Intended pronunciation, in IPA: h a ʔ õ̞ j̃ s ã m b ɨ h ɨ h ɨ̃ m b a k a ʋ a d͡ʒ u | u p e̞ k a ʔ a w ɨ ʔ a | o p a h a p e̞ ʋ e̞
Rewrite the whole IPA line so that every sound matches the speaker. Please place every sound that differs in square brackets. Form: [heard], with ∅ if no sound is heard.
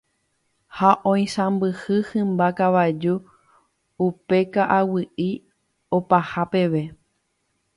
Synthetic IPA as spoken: h a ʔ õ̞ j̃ s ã m b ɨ h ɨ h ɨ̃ m b a k a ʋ a d͡ʒ u | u p e̞ k a ʔ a w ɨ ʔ [i] | o p a h a p e̞ ʋ e̞